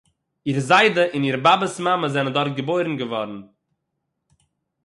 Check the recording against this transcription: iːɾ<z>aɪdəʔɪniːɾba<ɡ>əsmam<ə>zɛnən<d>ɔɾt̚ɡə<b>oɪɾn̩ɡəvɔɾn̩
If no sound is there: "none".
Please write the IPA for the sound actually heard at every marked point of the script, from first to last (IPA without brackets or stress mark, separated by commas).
z, b, ə, d, b